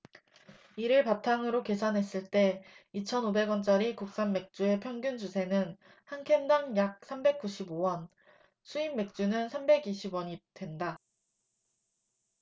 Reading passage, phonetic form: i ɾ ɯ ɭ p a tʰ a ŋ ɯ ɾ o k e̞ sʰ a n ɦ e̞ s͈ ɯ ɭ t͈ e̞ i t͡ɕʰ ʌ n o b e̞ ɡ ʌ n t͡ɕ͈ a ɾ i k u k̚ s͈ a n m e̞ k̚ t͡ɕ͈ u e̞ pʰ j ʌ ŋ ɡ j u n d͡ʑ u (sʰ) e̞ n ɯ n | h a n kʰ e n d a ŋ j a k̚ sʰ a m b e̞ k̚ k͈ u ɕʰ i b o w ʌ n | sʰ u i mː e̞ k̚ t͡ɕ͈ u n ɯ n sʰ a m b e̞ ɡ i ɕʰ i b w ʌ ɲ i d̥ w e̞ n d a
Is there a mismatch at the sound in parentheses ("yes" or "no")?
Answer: no